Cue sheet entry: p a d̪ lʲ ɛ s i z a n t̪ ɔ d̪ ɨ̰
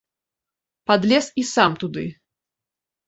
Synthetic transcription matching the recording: p a d̪ lʲ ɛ s i s a m t̪ u d̪ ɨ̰